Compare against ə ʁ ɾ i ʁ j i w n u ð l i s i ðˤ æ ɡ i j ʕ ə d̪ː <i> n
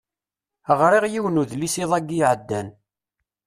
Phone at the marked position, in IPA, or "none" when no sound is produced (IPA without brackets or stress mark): æ